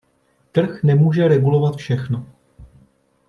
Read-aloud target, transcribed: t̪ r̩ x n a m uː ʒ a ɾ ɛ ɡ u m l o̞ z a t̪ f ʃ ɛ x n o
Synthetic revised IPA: t̪ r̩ x n ɛ m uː ʒ ɛ ɾ ɛ ɡ u l o̞ v a t̪ f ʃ ɛ x n o